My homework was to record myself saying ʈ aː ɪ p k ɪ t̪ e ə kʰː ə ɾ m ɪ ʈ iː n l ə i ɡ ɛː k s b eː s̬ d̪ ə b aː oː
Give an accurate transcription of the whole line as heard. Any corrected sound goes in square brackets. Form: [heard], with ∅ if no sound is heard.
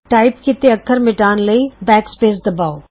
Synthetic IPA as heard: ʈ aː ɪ p k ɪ t̪ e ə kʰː ə ɾ m ɪ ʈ [aː] n l ə i [b] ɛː k s [p] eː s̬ d̪ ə b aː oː